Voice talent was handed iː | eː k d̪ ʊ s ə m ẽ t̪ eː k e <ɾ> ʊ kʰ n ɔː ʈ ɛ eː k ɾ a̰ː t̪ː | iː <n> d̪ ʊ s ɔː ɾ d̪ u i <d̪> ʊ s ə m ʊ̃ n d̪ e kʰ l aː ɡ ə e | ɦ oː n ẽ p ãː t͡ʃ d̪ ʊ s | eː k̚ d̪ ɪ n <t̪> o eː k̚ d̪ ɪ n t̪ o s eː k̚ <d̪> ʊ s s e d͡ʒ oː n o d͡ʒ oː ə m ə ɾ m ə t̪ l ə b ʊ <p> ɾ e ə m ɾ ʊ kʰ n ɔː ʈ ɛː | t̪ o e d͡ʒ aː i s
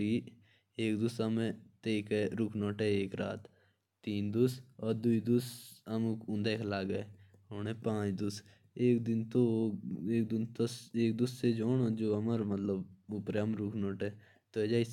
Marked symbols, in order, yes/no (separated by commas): yes, yes, yes, yes, yes, yes